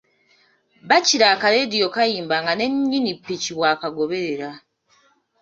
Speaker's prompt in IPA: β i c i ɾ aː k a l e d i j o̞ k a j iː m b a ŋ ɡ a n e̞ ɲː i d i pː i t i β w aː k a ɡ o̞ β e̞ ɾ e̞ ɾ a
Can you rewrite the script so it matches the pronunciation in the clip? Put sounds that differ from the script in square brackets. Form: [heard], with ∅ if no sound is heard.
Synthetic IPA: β [a] c i ɾ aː k a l e d i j o̞ k a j iː m b a ŋ ɡ a n e̞ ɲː i [n] i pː i [c] i β w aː k a ɡ o̞ β e̞ ɾ e̞ ɾ a

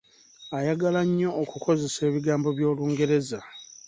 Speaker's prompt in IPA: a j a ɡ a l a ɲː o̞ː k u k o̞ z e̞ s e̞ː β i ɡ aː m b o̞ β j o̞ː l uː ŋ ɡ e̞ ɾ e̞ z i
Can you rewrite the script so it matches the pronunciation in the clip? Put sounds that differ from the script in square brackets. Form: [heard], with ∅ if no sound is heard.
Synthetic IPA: a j a ɡ a l a ɲː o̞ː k u k o̞ z e̞ s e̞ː β i ɡ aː m b o̞ β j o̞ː l uː ŋ ɡ e̞ ɾ e̞ z [a]

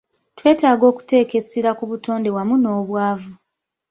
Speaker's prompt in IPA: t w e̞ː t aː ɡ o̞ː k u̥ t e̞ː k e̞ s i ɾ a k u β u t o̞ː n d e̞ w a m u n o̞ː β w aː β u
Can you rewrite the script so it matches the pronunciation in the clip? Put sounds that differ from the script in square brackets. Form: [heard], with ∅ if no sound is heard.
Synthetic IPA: t w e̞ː t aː ɡ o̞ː k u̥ t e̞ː k e̞ s i ɾ a k u β u t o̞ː n d e̞ w a m u n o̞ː β w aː [v] u

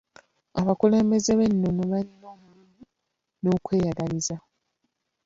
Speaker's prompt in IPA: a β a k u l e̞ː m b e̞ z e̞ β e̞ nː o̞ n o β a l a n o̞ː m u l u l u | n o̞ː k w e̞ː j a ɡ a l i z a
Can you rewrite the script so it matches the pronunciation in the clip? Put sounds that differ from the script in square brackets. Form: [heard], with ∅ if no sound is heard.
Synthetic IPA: a β a k u l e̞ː m b e̞ z e̞ β e̞ nː o̞ n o β a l [i] n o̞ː m u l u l u | n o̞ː k w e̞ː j a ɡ a l i z a

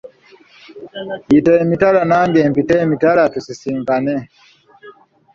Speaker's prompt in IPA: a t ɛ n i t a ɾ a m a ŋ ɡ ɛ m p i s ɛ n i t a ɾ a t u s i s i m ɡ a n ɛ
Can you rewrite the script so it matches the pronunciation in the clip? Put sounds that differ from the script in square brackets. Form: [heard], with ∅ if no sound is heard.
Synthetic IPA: [i] t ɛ [m] i t a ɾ a [n] a ŋ ɡ ɛ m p i [t] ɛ [m] i t a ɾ a t u s i s i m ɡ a n ɛ

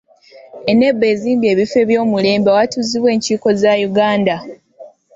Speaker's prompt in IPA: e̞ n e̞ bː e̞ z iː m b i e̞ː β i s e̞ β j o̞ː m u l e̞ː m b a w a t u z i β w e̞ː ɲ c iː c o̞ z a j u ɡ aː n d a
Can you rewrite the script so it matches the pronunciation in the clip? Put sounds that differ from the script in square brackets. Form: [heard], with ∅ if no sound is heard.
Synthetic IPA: e̞ n e̞ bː e̞ z iː m b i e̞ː β i [f] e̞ β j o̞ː m u l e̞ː m b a w a t u z i β w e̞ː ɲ c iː [k] o̞ z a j u ɡ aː n d a

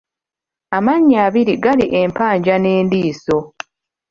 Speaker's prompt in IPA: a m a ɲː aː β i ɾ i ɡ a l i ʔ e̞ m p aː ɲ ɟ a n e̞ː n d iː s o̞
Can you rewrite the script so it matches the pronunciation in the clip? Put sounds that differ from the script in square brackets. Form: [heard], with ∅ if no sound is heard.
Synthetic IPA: a m a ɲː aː β i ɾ i ɡ a l i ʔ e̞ m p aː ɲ ɟ a n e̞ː n d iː s o̞

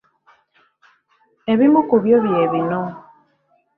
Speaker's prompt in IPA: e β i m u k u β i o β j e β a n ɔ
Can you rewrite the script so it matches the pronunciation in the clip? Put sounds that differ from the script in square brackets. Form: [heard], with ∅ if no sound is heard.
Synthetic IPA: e β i m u k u β [j] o β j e β [i] n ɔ

